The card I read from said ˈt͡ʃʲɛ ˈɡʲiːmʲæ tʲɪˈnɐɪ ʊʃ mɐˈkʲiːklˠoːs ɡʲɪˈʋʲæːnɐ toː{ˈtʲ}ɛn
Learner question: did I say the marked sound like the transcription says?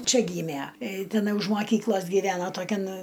no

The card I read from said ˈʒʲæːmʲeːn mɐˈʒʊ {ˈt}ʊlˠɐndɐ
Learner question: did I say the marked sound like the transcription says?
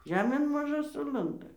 no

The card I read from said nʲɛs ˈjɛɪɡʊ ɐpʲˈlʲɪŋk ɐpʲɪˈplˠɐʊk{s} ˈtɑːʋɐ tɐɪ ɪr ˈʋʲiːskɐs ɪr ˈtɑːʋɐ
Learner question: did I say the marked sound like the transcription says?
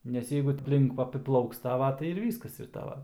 yes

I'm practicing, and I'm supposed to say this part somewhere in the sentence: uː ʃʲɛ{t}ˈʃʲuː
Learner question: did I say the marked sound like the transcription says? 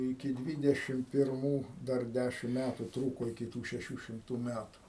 no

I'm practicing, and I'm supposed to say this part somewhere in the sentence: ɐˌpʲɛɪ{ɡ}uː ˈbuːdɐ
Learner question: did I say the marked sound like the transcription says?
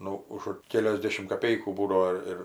no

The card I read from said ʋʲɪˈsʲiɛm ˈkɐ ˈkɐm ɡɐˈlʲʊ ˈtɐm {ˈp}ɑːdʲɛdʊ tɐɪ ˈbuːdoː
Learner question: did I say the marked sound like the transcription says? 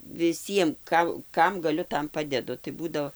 yes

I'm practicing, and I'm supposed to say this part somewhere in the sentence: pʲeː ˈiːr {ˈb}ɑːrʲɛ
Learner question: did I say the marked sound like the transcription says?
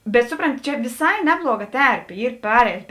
no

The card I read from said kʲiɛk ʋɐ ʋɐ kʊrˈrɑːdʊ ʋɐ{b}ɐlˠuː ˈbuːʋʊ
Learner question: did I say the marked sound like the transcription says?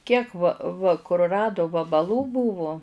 yes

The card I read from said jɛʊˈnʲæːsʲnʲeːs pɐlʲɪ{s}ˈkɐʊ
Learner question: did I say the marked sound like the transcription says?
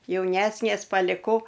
no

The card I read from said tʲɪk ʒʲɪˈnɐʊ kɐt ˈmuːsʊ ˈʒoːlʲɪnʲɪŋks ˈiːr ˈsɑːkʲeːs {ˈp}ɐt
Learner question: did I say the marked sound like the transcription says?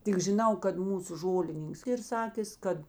no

